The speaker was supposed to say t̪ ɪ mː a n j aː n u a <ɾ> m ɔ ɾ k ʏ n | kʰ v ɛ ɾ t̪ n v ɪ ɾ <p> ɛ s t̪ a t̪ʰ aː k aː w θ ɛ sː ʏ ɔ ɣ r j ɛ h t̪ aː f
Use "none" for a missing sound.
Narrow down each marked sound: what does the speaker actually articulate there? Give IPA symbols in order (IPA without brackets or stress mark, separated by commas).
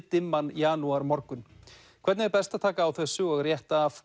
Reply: ɾ, p